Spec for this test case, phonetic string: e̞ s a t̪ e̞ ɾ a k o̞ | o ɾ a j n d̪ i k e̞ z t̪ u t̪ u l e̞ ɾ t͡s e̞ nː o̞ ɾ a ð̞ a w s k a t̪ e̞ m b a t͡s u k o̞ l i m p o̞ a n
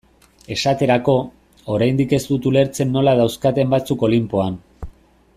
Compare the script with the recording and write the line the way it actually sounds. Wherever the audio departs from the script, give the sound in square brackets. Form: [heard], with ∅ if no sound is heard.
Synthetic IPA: e̞ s a t̪ e̞ ɾ a k o̞ | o ɾ a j n d̪ i k e̞ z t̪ u t̪ u l e̞ ɾ t͡s e̞ nː o̞ [l] a ð̞ a w s k a t̪ e̞ m b a t͡s u k o̞ l i m p o̞ a n